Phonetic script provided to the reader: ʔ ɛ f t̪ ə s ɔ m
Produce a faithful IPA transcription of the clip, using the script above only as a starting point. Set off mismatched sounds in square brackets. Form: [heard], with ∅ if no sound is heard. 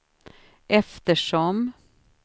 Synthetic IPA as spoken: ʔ ɛ f t̪ ə [ʂ] ɔ m